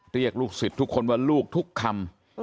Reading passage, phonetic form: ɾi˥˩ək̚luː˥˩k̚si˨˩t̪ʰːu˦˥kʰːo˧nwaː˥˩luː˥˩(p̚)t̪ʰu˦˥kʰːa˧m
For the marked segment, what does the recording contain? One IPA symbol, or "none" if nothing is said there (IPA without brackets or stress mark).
k̚